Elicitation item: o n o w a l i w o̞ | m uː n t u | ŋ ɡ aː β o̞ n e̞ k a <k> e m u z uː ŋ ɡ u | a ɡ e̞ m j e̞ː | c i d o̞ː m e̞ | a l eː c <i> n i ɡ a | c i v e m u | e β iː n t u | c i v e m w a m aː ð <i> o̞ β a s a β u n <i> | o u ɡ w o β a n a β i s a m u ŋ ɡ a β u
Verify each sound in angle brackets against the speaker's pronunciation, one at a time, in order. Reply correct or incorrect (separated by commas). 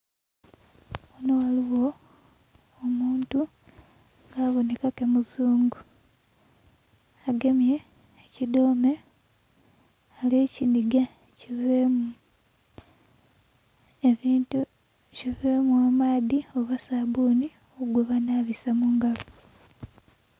correct, correct, correct, correct